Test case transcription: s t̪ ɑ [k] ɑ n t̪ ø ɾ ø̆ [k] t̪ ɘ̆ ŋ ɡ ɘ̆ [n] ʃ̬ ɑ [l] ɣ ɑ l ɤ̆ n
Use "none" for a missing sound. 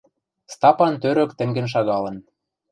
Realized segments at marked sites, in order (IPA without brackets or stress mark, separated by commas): p, k, n, none